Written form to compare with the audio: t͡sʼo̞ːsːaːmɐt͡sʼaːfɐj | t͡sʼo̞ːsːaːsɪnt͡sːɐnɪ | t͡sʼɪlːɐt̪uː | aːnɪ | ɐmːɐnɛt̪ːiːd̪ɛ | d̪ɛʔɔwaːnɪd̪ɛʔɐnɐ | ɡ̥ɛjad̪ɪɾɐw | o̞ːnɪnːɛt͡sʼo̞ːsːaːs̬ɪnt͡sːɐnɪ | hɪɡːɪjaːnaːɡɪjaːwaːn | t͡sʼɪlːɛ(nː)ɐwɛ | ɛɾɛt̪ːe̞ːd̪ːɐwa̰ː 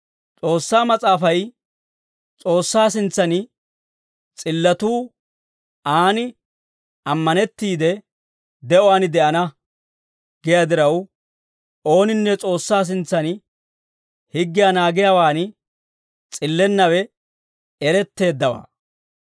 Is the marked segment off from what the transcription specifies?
no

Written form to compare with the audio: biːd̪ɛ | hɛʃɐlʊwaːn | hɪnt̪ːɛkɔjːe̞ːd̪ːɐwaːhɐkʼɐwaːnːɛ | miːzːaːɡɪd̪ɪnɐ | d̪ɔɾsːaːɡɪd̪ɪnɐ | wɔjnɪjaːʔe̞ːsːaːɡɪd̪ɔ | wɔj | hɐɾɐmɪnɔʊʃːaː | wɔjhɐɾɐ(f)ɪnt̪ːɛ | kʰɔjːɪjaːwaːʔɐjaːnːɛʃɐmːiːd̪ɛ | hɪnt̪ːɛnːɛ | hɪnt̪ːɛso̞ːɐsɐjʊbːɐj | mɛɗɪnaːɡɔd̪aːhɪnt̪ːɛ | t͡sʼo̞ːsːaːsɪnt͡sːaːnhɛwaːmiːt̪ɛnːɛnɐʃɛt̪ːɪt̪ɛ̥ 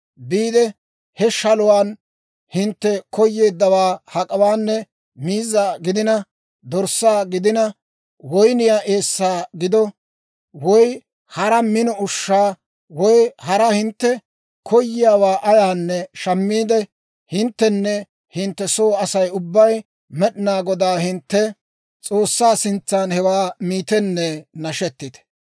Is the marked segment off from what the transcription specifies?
yes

